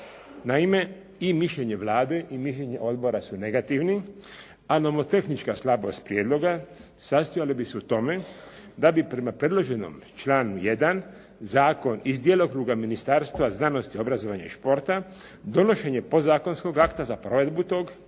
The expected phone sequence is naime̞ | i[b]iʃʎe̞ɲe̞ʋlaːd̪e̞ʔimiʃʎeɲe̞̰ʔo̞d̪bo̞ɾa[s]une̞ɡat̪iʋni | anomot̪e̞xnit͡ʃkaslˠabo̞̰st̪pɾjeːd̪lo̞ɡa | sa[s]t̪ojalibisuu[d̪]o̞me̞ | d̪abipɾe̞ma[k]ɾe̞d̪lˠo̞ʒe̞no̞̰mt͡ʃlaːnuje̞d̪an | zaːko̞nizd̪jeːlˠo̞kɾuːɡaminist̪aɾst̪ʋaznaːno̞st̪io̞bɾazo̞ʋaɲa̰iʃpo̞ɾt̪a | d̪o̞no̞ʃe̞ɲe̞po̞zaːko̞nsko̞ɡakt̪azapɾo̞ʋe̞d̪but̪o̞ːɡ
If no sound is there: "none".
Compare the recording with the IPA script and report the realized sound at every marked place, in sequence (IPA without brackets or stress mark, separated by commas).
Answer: m, s, s, t̪, p